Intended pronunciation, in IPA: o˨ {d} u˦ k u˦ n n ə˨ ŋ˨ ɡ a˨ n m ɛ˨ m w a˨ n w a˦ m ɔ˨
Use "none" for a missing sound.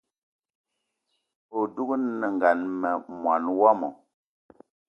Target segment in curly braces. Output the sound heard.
d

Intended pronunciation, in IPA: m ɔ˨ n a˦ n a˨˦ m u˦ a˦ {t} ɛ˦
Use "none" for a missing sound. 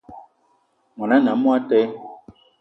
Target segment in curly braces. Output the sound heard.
t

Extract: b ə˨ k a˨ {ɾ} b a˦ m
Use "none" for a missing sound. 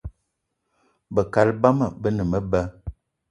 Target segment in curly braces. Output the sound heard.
l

